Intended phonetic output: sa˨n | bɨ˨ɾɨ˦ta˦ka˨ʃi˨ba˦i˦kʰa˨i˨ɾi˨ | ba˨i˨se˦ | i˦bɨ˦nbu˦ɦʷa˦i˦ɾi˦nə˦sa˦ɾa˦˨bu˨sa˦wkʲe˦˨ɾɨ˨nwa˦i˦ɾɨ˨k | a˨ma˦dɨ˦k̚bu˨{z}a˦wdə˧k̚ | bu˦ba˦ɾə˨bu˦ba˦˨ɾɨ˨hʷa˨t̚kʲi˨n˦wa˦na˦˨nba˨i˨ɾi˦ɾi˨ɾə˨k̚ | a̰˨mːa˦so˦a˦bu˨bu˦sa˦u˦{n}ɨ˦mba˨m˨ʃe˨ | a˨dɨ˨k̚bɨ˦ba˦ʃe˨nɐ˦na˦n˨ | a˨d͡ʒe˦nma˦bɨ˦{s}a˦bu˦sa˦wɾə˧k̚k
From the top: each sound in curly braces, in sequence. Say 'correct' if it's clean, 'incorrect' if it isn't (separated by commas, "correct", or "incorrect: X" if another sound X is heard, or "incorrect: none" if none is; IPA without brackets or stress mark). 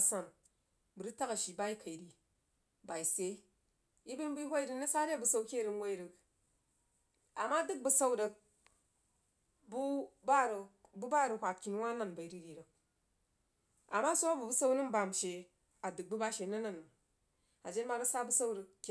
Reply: incorrect: s, correct, correct